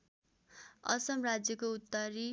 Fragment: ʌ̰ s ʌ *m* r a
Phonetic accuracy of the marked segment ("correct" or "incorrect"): correct